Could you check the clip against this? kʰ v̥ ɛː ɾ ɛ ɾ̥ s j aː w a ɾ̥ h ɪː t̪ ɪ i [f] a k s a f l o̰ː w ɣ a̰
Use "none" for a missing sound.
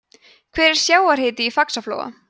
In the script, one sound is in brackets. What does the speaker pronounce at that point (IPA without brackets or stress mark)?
f